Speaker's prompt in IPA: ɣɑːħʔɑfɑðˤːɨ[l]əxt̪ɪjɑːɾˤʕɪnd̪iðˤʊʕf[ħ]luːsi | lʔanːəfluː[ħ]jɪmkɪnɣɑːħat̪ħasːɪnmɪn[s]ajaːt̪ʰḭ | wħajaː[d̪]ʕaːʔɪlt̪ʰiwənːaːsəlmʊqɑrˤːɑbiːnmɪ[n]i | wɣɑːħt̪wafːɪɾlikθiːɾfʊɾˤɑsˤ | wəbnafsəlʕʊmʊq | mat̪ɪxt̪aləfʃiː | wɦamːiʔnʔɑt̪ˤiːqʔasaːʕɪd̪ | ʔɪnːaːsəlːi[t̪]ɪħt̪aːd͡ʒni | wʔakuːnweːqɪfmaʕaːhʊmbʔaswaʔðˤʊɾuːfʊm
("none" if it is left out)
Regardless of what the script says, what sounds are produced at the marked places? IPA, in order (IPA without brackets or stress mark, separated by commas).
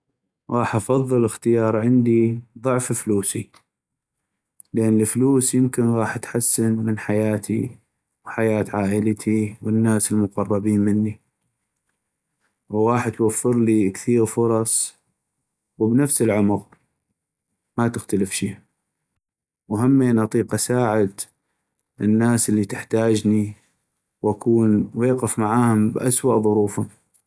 l, f, s, ħ, t̪, nː, t̪